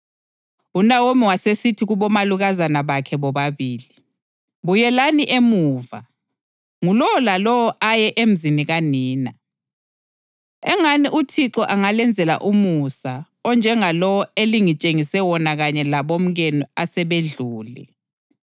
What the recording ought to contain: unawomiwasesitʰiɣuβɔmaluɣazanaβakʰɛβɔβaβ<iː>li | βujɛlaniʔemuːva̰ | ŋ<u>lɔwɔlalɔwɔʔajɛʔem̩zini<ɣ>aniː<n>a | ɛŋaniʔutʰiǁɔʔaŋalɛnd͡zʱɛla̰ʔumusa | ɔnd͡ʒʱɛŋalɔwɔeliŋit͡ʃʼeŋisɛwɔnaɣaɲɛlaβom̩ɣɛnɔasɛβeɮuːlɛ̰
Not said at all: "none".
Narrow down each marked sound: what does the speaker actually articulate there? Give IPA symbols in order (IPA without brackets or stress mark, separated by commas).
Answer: iː, u, ɣ, n